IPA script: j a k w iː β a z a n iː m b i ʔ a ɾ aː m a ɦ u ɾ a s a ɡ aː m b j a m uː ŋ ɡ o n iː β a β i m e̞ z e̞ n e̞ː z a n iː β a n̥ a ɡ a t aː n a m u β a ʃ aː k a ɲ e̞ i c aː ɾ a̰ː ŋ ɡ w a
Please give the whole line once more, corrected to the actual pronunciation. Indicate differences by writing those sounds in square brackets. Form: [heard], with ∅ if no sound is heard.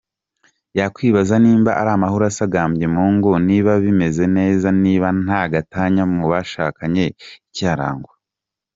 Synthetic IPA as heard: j a k w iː β a z a n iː m b [a] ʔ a ɾ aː m a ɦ u ɾ a s a ɡ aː m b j [e] m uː ŋ ɡ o n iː β a β i m e̞ z e̞ n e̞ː z a n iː β a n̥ a ɡ a t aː [ɲ] a m u β a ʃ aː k a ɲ e̞ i c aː ɾ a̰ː ŋ ɡ w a